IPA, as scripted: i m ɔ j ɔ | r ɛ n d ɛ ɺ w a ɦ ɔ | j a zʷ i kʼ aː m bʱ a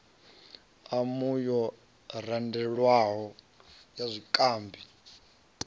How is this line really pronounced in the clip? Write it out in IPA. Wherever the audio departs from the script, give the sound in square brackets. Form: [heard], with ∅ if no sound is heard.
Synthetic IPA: [a] m [u] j ɔ | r [a] n d ɛ ɺ w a ɦ ɔ | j a zʷ i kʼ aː m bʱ [i]